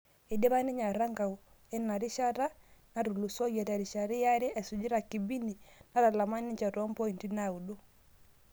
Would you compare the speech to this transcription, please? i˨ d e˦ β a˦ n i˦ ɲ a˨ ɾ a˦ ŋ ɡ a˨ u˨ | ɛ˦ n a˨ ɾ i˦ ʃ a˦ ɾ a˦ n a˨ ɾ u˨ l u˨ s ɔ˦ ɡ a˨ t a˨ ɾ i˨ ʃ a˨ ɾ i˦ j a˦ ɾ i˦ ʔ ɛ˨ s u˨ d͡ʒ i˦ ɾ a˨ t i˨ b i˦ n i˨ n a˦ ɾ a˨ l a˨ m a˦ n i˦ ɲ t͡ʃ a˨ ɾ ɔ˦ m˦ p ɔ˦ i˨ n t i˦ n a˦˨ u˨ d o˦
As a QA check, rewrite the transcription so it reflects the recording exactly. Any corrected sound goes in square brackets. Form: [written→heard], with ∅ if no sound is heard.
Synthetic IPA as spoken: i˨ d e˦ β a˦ n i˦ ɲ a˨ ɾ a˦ ŋ ɡ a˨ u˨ | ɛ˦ n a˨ ɾ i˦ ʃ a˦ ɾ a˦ n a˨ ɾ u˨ l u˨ s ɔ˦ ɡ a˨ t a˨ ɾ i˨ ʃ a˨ ɾ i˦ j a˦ ɾ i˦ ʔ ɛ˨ s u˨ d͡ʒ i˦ ɾ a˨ [t→k] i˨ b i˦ n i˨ n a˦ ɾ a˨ l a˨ m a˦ n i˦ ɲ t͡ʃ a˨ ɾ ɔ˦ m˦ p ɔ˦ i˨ n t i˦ n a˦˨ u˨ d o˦